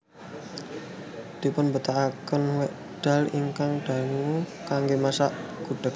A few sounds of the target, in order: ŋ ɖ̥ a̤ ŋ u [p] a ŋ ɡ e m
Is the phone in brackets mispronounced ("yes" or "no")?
yes